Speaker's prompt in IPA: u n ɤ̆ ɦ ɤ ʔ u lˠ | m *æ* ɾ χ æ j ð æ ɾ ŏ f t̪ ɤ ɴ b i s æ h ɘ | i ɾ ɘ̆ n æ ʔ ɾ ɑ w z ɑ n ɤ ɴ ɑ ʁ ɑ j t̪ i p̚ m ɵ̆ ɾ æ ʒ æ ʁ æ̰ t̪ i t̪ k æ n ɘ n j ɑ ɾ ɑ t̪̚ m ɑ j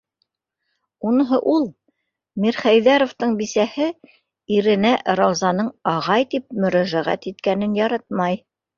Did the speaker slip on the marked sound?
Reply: yes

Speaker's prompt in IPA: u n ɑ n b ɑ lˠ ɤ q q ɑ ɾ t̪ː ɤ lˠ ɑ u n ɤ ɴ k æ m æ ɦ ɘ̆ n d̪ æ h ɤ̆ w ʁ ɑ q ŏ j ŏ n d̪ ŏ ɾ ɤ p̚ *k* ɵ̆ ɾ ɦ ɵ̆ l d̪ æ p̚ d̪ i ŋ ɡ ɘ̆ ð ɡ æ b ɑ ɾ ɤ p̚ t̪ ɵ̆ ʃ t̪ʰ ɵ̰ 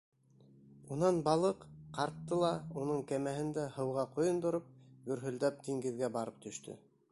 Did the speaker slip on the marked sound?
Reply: yes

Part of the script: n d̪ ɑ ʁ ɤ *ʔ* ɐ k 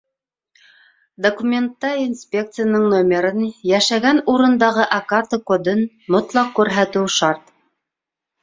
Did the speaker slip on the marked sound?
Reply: no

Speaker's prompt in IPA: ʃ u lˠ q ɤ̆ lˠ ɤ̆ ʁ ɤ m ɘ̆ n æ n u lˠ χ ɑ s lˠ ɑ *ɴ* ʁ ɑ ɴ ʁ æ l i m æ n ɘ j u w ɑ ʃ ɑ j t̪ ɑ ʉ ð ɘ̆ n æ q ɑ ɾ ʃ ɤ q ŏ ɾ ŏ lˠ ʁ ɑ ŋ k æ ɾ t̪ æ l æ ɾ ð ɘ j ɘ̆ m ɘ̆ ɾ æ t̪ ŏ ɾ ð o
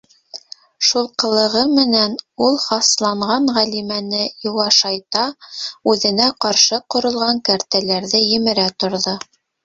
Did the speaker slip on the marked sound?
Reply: no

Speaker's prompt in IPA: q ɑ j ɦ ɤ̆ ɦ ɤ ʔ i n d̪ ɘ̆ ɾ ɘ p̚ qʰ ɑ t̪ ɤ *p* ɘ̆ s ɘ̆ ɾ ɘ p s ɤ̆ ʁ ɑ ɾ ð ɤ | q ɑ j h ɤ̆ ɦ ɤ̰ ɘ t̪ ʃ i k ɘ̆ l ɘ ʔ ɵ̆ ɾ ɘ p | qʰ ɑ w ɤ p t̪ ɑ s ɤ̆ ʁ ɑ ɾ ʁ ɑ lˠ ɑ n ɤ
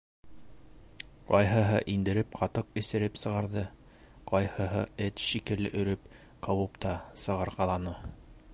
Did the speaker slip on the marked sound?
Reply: yes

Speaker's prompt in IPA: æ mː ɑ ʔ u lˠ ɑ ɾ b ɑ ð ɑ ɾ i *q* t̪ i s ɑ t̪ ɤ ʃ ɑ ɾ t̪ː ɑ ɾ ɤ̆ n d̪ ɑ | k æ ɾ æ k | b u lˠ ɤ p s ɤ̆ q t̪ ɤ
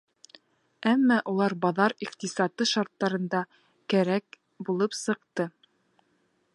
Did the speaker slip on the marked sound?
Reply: no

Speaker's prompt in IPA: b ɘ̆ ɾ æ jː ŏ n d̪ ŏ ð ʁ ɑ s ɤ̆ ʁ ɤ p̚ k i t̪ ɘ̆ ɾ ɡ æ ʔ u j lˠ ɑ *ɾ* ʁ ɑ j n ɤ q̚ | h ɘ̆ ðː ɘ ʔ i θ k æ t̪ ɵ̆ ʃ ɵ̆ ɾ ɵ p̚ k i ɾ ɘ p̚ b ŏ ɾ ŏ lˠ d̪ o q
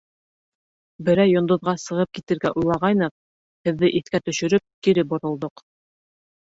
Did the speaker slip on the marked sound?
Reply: yes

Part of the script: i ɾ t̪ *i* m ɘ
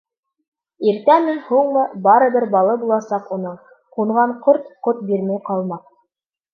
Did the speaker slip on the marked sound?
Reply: yes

